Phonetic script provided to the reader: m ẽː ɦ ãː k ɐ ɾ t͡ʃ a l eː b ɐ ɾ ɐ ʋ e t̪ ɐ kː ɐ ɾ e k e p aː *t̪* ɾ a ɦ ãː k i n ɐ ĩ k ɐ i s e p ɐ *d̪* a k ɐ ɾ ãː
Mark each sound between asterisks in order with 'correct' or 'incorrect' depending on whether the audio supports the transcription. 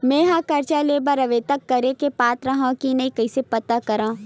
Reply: correct, incorrect

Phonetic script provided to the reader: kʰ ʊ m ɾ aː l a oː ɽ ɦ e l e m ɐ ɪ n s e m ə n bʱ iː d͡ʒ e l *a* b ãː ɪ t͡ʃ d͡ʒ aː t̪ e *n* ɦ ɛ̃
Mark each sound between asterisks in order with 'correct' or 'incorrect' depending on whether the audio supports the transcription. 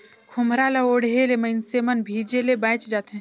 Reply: incorrect, incorrect

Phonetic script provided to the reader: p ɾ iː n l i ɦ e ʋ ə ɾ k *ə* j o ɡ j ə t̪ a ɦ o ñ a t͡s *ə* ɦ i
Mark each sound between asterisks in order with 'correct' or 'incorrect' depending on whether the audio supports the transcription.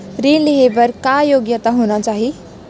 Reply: incorrect, incorrect

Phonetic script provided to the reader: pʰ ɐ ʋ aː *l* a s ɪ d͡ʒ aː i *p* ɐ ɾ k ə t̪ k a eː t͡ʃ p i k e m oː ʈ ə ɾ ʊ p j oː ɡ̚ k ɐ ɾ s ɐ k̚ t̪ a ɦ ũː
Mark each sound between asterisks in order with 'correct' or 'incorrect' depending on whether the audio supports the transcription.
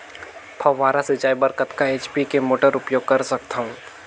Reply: incorrect, incorrect

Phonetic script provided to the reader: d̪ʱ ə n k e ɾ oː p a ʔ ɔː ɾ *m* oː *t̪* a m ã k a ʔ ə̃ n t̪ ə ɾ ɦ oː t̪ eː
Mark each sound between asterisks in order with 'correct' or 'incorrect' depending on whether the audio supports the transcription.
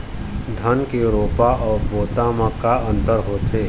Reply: incorrect, correct

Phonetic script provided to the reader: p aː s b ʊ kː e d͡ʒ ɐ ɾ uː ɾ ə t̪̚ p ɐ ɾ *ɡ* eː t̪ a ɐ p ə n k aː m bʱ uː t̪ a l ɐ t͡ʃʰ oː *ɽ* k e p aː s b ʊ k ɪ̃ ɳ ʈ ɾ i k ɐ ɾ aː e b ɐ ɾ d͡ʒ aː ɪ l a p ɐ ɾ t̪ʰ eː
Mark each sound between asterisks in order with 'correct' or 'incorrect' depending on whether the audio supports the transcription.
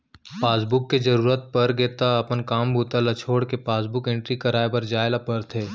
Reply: correct, correct

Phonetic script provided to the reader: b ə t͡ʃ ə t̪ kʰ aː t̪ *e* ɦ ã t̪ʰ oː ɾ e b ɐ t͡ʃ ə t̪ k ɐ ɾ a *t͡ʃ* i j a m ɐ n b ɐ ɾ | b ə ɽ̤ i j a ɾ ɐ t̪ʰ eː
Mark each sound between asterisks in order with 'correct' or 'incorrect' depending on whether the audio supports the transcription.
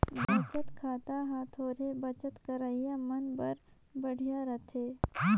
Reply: incorrect, incorrect

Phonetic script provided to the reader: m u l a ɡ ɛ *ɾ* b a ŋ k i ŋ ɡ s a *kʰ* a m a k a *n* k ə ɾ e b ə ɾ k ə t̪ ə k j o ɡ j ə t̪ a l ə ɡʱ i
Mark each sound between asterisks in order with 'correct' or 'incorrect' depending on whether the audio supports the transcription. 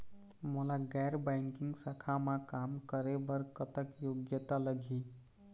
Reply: correct, correct, incorrect

